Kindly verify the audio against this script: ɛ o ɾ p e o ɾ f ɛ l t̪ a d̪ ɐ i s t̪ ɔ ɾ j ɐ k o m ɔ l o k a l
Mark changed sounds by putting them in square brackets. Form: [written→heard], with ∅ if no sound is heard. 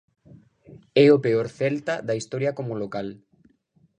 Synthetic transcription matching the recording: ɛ o [ɾ→∅] p e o ɾ [f→θ] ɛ l t̪ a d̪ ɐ i s t̪ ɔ ɾ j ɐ k o m [ɔ→o] l o k a l